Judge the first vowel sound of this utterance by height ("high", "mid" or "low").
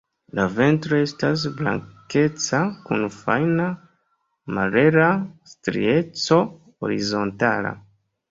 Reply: low